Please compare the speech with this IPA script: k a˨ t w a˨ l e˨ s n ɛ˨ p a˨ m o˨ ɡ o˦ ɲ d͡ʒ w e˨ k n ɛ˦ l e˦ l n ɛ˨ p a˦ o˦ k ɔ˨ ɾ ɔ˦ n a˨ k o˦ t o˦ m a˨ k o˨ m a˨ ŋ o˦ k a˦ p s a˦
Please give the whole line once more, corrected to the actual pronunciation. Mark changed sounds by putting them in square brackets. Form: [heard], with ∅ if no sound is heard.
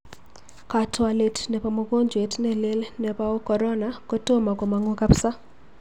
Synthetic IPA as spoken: k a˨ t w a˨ l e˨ [t] n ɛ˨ p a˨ m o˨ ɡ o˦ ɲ d͡ʒ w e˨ [t] n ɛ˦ l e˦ l n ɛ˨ p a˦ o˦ k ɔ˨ ɾ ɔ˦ n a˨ k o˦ t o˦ m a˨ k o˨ m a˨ ŋ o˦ k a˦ p s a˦